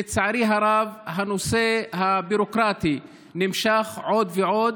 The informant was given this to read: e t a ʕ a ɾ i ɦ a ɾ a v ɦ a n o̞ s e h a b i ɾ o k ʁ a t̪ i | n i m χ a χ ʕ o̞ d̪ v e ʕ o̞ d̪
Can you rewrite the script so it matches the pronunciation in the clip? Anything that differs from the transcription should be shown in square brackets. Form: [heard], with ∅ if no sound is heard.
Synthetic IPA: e [t͡s] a ʕ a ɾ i ɦ a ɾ a v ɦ a n o̞ s e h a b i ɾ o k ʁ a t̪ i | n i m [ʃ] a χ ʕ o̞ d̪ v e ʕ o̞ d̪